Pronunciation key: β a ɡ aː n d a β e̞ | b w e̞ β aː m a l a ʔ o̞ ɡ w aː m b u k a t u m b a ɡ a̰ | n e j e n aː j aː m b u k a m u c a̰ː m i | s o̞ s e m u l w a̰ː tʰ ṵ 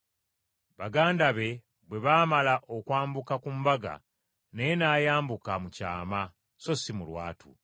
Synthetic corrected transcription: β a ɡ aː n d a β e̞ | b w e̞ β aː m a l a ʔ o̞ k w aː m b u k a k u m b a ɡ a̰ | n e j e n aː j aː m b u k a m u c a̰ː m a | s o̞ s i m u l w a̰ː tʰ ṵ